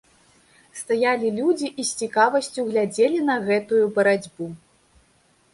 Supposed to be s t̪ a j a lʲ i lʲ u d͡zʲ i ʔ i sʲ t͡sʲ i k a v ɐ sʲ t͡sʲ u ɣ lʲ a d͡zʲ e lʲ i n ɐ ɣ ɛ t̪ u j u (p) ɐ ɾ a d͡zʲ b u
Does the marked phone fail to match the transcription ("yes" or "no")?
yes